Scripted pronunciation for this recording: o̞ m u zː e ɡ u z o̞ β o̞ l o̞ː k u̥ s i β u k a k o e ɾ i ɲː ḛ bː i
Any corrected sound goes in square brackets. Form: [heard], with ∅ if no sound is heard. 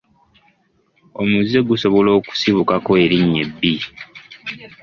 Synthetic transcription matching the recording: o̞ m u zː e ɡ u [s] o̞ β o̞ l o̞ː k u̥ s i β u k a k o e ɾ i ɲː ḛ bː i